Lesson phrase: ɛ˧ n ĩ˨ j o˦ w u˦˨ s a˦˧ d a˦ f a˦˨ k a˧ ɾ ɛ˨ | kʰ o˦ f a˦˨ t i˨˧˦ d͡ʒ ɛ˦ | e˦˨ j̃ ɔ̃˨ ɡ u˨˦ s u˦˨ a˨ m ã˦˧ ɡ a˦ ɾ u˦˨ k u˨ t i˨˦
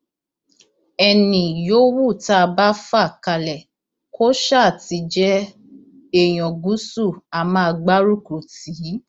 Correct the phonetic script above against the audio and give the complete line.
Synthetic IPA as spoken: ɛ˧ n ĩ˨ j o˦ w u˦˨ t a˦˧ b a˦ f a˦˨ k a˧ l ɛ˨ | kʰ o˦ ʃ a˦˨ t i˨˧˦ d͡ʒ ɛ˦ | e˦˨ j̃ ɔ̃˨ ɡ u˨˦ s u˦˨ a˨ m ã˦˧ ɡ͡b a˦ ɾ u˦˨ k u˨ t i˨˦

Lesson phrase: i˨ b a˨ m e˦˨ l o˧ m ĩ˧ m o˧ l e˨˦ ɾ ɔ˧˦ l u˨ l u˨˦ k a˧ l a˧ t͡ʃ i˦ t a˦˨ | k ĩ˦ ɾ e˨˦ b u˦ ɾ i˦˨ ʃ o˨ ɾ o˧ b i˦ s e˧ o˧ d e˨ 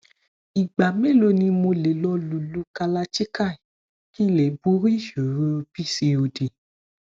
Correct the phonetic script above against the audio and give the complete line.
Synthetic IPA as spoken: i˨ ɡ͡b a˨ m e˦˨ l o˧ n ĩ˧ m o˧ l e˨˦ l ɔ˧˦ l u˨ l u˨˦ k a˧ l a˧ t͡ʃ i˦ k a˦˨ | k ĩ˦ l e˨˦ b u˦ ɾ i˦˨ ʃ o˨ ɾ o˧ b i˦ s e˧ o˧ d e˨

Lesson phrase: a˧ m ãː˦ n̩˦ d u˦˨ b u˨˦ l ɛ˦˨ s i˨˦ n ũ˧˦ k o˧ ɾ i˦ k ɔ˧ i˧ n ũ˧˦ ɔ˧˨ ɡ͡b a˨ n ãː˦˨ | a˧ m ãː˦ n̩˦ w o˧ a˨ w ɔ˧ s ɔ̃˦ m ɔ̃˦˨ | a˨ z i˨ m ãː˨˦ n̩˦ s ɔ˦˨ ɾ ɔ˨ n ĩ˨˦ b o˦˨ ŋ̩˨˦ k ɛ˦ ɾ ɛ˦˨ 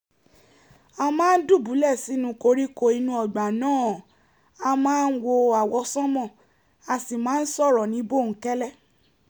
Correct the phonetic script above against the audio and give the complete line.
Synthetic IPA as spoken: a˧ m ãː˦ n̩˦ d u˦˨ b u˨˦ l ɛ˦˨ s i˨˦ n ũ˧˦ k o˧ ɾ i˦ k o˧ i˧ n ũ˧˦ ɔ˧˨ ɡ͡b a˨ n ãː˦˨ | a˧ m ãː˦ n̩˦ w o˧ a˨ w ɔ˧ s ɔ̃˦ m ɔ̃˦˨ | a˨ s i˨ m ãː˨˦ n̩˦ s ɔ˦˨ ɾ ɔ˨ n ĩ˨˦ b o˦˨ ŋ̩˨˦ k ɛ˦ l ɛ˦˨

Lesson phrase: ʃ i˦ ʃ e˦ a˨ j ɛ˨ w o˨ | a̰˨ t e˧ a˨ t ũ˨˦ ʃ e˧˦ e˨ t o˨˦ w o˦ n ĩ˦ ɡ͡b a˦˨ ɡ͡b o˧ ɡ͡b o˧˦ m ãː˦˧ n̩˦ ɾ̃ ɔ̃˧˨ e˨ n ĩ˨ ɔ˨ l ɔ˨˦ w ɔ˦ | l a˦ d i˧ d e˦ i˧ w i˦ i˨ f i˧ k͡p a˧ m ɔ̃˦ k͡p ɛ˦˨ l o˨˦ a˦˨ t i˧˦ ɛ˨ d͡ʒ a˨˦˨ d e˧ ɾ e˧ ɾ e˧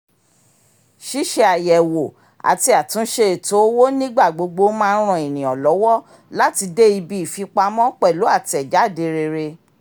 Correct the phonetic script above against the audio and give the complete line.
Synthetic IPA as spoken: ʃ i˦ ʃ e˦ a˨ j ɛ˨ w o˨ | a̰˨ t i˧ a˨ t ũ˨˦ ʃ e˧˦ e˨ t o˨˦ w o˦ n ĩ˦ ɡ͡b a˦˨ ɡ͡b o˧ ɡ͡b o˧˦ m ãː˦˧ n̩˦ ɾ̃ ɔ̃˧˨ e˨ n ĩ˨ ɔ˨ l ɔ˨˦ w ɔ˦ | l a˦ t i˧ d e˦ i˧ b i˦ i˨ f i˧ k͡p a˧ m ɔ̃˦ k͡p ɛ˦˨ l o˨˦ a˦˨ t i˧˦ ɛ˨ d͡ʒ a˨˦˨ d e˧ ɾ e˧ ɾ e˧

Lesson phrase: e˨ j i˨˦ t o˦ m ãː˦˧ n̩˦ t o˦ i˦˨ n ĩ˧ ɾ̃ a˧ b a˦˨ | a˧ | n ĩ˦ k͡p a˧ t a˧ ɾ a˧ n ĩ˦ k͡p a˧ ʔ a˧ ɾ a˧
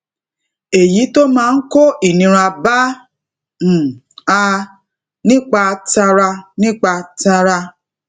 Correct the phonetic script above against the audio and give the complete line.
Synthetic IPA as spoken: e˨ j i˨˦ t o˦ m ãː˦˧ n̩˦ k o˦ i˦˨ n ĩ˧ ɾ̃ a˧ b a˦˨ | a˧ | n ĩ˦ k͡p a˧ t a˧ ɾ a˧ n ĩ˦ k͡p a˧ t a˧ ɾ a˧

